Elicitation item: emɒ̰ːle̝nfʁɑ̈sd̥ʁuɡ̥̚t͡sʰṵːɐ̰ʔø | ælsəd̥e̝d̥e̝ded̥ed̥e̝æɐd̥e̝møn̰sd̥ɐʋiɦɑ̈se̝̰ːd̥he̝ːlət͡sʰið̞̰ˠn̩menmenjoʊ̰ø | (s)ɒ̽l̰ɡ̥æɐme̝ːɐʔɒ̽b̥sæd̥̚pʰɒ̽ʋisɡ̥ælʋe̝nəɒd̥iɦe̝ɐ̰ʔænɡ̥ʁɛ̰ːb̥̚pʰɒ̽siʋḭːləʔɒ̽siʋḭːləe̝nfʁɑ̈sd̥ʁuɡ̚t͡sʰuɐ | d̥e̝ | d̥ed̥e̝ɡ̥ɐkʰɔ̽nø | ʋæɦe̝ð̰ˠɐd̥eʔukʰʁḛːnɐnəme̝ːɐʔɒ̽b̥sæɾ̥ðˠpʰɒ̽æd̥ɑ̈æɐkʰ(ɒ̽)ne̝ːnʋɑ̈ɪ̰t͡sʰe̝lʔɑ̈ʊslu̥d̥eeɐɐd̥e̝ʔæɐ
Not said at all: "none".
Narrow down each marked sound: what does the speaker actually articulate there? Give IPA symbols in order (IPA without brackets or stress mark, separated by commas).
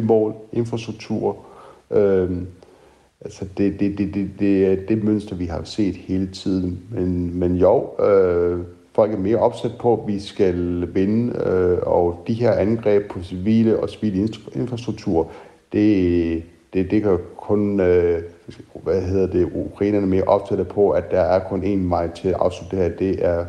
f, ɔ̽